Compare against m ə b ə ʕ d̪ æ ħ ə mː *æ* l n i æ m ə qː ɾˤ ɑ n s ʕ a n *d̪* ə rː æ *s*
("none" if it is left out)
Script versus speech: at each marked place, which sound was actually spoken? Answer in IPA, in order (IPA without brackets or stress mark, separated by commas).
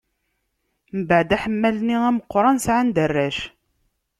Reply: æ, d̪, ʃ